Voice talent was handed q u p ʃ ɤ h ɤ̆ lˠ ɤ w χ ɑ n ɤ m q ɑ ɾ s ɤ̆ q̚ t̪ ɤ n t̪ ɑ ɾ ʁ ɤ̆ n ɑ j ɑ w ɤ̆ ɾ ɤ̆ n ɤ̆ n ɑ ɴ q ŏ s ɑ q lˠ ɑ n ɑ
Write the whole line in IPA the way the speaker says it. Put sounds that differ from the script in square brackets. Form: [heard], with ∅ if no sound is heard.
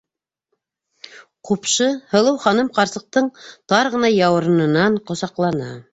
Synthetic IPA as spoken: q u p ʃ ɤ h ɤ̆ lˠ ɤ w χ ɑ n ɤ m q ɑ ɾ s ɤ̆ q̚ t̪ ɤ [ɴ] t̪ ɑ ɾ ʁ ɤ̆ n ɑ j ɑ w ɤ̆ ɾ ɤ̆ n ɤ̆ n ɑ ɴ q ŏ s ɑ q lˠ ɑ n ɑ